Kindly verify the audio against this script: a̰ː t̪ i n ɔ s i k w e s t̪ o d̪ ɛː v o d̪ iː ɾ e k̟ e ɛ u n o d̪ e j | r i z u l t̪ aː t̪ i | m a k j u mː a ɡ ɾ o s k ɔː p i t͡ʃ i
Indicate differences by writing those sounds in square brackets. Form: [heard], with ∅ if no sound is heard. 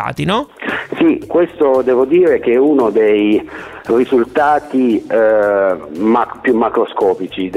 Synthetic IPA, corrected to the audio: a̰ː t̪ i n ɔ s i k w e s t̪ o d̪ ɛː v o d̪ iː ɾ e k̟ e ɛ u n o d̪ e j | r i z u l t̪ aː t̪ i | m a [p] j u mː a [k] ɾ o s k ɔː p i t͡ʃ i